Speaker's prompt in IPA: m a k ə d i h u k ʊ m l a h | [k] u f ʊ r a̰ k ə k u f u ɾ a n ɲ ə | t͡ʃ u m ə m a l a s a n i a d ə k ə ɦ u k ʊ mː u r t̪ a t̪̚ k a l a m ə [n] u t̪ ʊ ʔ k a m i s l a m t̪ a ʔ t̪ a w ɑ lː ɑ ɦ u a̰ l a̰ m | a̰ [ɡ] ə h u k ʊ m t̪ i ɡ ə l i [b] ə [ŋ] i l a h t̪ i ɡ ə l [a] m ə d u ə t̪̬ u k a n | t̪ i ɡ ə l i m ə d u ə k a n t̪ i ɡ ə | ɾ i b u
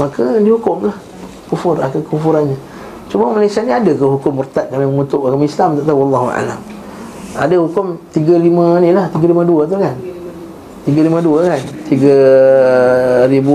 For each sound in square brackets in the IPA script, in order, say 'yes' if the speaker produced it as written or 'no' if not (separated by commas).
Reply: yes, no, no, no, no, no